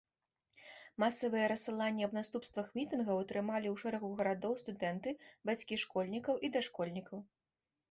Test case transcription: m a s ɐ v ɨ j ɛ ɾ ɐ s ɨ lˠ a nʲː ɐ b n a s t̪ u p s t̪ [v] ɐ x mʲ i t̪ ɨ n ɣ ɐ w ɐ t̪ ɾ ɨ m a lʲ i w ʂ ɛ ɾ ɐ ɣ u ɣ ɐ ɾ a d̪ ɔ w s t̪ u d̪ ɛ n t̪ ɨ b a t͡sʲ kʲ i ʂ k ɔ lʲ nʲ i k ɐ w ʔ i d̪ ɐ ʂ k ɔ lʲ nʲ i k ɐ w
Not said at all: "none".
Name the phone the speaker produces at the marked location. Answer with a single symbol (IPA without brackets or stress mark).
v